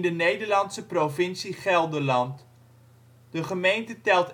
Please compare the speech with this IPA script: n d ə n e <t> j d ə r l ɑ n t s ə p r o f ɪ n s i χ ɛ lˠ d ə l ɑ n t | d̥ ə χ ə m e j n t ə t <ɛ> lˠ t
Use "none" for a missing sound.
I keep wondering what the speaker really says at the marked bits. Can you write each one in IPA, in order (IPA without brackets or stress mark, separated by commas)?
none, ɛ